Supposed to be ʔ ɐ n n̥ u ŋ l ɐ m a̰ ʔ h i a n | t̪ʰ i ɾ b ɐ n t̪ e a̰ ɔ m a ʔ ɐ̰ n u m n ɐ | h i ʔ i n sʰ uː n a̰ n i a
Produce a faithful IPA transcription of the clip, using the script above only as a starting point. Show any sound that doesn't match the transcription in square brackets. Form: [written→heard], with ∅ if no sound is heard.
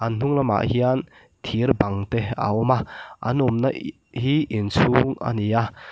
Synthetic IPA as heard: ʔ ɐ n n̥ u ŋ l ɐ m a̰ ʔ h i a n | t̪ʰ i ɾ b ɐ [n→ŋ] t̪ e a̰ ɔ m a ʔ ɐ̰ n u m n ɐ | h i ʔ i n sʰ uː [n→ŋ] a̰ n i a

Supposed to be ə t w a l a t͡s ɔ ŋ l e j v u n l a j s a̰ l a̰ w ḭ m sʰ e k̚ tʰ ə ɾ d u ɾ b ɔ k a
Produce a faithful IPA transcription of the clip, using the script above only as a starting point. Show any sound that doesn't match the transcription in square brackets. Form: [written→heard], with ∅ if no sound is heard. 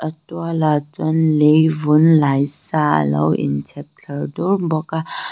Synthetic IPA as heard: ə t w a l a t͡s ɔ [ŋ→n] l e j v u n l a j s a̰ l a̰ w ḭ [m→n] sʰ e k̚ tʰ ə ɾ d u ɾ b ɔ k a

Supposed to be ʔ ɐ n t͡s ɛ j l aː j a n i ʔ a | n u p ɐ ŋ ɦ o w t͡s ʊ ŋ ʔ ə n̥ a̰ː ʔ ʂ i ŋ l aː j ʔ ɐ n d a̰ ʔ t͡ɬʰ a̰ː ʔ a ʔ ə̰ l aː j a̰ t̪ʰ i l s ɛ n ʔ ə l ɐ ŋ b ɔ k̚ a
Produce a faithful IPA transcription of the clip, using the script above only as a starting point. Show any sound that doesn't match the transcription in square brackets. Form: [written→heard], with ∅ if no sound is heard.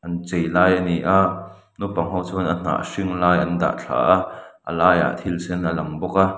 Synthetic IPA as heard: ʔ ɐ n t͡s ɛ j l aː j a n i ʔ a | n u p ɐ ŋ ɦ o w t͡s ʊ [ŋ→n] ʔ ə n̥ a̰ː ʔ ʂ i ŋ l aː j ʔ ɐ n d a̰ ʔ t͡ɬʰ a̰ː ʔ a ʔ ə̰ l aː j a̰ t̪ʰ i l s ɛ n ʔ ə l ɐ ŋ b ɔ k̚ a

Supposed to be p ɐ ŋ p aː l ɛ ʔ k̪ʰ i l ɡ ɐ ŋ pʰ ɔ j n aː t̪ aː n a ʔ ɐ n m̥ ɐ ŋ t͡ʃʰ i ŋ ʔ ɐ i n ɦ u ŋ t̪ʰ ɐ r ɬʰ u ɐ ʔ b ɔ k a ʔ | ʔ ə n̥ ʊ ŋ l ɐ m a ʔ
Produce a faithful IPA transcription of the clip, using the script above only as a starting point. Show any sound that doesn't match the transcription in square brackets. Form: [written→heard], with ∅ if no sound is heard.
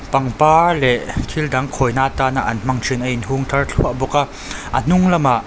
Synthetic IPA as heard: p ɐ ŋ p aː l ɛ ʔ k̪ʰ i l [ɡ→d] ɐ ŋ [pʰ→kʰ] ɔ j n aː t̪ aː n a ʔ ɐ n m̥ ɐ ŋ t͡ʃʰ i [ŋ→n] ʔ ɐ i n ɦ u ŋ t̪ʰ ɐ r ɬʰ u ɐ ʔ b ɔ k a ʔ | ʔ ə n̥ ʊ ŋ l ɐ m a ʔ

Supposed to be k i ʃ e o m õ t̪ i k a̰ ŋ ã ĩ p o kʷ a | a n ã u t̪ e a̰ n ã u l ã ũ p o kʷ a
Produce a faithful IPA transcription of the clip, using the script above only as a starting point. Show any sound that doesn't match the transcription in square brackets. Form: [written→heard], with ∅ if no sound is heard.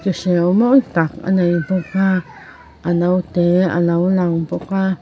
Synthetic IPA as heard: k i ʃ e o m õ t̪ [i→a] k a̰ [ŋ→n] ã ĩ p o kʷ a | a n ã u t̪ e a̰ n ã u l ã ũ p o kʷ a

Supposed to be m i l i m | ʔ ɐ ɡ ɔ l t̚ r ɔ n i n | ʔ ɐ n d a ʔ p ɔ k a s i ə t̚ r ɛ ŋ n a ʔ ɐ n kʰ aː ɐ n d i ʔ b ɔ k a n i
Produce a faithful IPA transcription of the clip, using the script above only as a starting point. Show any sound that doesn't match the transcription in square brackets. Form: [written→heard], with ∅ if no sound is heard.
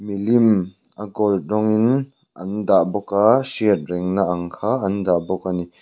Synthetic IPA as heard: m i l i m | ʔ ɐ ɡ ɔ l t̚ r ɔ [n→ŋ] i n | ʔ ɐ n d a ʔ [p→b] ɔ k a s i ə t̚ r ɛ ŋ n a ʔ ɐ [n→ŋ] kʰ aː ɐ n d [i→a] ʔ b ɔ k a n i

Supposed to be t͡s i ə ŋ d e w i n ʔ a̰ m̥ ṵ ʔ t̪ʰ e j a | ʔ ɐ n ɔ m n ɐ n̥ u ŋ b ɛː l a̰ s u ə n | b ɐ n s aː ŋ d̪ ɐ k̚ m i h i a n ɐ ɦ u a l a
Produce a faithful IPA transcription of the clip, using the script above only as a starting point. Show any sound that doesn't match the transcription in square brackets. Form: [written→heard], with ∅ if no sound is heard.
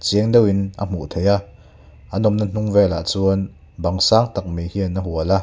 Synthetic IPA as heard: t͡s i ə ŋ d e w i n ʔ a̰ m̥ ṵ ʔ t̪ʰ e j a | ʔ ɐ n ɔ m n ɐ n̥ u ŋ [b→v] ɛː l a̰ [s→t͡s] u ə n | b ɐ [n→ŋ] s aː ŋ [d̪→t̪] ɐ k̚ m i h i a n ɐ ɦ u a l a

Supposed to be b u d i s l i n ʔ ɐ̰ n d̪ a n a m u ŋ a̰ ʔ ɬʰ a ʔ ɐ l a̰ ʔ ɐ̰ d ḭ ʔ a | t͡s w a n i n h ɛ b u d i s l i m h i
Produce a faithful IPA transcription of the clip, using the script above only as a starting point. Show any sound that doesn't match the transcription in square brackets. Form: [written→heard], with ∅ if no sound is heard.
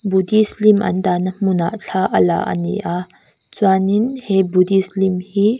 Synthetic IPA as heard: b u d i s l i [n→m] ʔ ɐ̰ n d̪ a n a m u [ŋ→n] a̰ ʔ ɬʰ a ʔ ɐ l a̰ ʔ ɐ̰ [d→n] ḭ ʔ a | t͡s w a n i n h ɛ b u d i s l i m h i

